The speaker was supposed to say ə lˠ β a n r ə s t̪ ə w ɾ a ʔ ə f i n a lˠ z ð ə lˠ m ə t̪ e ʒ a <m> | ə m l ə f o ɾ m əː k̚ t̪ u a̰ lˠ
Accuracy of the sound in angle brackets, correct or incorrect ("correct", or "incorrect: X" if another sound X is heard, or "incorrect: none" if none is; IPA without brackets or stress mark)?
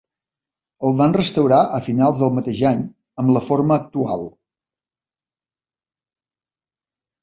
incorrect: ɲ